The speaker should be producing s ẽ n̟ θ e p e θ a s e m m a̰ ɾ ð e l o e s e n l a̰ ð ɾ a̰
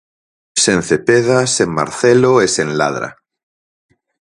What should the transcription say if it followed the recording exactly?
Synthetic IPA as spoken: s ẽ n̟ θ e p e ð a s e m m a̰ ɾ θ e l o e s e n l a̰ ð ɾ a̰